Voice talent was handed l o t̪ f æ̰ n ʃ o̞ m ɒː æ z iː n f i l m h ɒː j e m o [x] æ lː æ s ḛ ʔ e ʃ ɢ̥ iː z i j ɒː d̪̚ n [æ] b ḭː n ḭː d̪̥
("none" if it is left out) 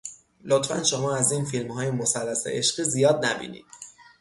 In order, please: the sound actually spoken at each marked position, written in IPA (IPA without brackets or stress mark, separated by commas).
s, æ